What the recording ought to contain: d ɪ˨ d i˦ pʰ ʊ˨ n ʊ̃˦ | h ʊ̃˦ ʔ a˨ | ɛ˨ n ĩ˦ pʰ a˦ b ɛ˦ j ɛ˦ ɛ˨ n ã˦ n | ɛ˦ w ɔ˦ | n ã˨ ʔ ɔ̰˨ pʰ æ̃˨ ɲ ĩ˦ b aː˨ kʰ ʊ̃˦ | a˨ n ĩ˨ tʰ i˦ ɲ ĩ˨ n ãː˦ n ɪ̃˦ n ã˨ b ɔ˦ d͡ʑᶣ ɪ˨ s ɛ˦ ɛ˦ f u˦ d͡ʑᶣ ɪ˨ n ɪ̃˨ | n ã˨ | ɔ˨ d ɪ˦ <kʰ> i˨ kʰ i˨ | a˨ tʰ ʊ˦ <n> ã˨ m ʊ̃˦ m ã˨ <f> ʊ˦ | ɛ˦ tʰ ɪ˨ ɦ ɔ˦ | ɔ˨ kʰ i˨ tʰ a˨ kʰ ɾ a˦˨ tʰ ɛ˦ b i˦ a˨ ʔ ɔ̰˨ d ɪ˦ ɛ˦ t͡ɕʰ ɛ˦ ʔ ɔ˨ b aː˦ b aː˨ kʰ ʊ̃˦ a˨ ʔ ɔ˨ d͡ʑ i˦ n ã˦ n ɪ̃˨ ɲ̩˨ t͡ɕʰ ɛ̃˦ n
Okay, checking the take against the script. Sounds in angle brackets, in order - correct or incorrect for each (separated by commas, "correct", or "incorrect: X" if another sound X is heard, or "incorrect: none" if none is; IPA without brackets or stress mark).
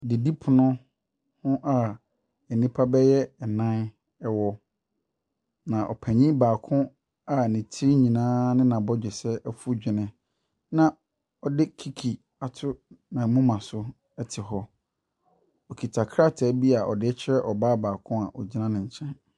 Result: correct, correct, incorrect: s